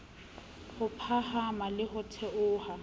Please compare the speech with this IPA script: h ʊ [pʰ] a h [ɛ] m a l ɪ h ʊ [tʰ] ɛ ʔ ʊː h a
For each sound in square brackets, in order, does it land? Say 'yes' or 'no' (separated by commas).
yes, no, yes